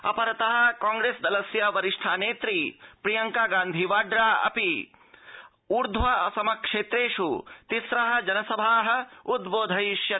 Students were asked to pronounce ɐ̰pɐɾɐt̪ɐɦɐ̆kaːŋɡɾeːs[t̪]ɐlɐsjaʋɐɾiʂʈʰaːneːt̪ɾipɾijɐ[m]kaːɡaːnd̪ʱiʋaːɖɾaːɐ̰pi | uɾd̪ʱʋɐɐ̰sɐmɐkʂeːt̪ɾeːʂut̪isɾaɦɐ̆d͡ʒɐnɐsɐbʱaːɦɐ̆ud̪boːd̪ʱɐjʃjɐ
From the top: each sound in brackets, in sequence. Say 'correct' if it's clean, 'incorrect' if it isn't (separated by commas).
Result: incorrect, incorrect